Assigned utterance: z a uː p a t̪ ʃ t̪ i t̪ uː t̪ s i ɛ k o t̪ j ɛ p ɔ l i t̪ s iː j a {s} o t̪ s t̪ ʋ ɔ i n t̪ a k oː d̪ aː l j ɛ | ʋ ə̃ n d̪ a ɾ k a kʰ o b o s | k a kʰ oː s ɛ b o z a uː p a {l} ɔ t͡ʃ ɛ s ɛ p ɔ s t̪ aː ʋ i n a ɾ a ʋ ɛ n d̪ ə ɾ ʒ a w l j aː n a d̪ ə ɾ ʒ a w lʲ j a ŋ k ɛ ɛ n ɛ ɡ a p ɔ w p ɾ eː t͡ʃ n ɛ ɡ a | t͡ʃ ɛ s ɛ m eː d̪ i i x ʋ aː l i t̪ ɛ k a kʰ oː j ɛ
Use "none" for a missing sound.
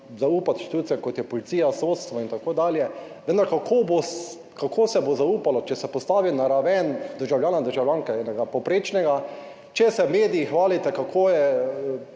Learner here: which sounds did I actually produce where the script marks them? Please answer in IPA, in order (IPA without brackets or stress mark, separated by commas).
s, l